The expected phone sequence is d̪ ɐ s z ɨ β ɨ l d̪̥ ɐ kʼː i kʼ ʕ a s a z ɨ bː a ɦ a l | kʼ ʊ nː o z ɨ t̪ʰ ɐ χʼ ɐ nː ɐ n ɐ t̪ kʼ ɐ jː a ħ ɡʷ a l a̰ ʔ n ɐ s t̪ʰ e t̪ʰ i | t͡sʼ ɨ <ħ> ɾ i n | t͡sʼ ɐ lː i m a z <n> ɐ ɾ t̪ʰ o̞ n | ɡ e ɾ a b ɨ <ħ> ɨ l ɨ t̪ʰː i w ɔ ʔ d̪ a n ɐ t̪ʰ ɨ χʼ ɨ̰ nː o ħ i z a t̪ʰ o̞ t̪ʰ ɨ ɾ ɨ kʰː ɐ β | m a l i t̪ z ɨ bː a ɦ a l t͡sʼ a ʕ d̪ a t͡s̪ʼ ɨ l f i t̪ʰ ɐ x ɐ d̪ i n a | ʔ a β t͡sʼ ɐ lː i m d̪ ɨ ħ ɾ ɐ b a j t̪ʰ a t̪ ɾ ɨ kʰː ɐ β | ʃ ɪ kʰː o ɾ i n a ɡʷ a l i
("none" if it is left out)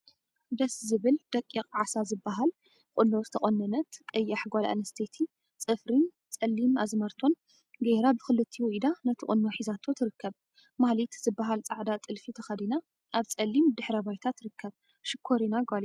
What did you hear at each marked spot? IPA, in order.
f, m, x

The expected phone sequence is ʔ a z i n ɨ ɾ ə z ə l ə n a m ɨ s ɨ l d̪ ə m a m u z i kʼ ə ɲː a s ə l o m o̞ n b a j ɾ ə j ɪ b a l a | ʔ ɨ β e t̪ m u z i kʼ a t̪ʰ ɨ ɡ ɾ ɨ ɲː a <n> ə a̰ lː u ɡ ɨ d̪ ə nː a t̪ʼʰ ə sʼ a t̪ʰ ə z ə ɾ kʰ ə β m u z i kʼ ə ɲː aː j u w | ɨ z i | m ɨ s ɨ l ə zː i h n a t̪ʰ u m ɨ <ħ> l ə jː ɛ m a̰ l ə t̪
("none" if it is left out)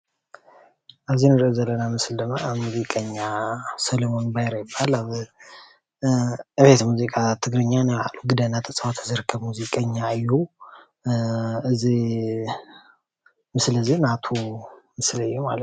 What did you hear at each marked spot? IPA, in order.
n, s

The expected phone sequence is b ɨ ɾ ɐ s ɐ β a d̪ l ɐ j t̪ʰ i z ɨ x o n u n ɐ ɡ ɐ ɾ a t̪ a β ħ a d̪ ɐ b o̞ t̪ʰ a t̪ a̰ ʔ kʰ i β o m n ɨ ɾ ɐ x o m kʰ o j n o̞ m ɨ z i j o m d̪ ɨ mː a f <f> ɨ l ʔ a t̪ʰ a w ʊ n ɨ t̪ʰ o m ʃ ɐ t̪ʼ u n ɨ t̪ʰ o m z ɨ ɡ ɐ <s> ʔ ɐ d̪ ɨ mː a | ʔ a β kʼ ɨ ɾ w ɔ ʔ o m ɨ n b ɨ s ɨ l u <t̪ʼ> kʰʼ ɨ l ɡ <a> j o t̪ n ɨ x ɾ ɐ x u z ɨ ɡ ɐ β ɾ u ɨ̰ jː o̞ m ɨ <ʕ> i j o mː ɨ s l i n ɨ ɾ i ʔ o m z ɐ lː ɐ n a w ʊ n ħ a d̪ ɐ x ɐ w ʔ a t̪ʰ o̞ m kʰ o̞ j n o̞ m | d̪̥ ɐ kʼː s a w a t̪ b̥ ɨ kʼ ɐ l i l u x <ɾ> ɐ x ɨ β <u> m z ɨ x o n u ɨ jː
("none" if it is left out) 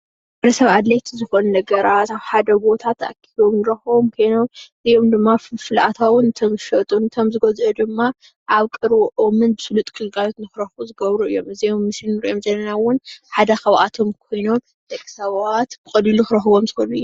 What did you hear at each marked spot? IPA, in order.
f, z, t̪ʼ, a, z, ɾ, o

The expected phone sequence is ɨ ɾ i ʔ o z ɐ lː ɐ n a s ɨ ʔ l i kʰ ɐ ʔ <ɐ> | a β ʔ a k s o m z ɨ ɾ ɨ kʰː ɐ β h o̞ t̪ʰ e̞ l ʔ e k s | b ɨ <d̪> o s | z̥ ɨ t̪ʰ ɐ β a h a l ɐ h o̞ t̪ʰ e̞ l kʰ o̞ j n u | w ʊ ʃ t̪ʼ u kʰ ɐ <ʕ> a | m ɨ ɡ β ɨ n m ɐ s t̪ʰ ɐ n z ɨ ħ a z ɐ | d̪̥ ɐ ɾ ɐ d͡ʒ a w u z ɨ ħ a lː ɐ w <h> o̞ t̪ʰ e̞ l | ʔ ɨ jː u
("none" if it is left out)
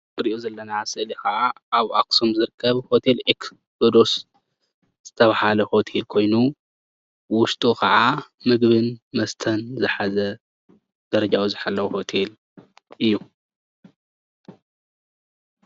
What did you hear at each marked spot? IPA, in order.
a, d̪, ʕ, h

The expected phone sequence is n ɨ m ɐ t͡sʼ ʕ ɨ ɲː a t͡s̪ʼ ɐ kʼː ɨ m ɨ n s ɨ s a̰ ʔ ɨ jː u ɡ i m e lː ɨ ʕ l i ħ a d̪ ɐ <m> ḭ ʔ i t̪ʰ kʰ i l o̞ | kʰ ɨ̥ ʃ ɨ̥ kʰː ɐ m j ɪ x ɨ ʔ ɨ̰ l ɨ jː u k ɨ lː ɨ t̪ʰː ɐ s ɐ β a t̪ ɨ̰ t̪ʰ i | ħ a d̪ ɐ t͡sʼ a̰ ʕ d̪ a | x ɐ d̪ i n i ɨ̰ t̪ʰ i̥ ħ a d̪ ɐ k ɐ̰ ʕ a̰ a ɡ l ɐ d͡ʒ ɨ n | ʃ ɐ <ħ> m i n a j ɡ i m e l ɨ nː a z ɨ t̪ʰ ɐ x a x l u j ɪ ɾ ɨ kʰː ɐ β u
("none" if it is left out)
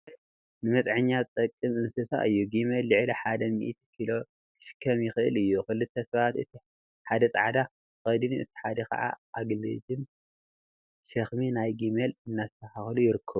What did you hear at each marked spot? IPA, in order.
m, x

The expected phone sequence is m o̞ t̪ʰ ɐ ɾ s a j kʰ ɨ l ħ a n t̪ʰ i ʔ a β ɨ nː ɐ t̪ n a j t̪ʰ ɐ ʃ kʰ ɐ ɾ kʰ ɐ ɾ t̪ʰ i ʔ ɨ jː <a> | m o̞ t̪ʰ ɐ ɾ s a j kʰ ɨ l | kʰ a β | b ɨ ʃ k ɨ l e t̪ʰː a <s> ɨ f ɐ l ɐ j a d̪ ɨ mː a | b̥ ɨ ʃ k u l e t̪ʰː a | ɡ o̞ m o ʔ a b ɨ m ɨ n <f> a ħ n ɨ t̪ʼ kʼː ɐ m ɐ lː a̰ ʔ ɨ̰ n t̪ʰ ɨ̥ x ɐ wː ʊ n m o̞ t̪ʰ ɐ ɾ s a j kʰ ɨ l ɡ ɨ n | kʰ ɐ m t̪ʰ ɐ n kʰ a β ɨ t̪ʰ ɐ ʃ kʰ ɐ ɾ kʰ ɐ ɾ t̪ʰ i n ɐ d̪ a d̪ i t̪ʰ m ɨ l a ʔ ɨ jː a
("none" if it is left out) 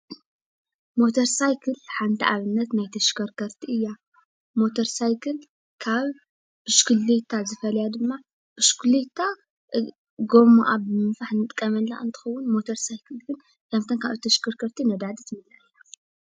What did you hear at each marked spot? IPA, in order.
a, z, f

